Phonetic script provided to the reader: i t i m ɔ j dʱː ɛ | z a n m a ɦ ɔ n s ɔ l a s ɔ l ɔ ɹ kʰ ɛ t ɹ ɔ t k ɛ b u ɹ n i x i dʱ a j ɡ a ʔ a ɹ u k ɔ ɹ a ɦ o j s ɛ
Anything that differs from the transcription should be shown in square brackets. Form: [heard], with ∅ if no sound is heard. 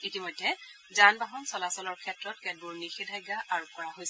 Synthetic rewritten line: i t i m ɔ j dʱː ɛ | z a n [b] a ɦ ɔ n s ɔ l a s ɔ l ɔ ɹ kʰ ɛ t ɹ ɔ t k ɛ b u ɹ n i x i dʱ a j ɡ a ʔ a ɹ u k ɔ ɹ a ɦ o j s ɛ